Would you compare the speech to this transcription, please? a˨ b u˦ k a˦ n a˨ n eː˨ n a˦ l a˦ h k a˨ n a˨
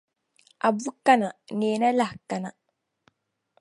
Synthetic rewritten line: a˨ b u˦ k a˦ n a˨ n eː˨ n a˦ l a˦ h k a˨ n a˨